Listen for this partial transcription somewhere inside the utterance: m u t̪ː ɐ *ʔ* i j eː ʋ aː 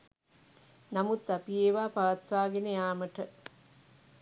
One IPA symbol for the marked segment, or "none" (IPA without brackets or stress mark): p